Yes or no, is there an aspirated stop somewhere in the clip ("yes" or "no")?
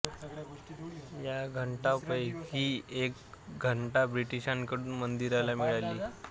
no